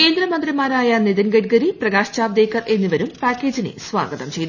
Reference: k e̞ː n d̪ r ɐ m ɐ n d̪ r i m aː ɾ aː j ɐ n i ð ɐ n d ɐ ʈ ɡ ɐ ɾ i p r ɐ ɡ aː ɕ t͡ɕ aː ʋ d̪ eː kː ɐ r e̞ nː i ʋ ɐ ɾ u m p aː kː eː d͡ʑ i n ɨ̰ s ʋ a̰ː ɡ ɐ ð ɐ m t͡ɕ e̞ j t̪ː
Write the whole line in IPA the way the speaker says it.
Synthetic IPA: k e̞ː n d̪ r ɐ m ɐ n d̪ r i m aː ɾ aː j ɐ n i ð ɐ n ɡ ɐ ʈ ɡ ɐ ɾ i p r ɐ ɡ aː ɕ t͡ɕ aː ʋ d̪ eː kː ɐ r e̞ nː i ʋ ɐ ɾ u m p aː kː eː d͡ʑ i n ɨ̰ s ʋ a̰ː ɡ ɐ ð ɐ m t͡ɕ e̞ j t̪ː